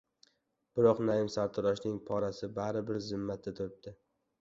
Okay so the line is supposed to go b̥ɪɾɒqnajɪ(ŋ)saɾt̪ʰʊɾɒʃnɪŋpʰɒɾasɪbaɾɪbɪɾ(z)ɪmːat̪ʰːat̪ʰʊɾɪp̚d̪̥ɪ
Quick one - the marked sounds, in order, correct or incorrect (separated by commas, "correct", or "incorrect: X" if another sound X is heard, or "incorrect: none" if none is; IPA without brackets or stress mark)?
incorrect: m, correct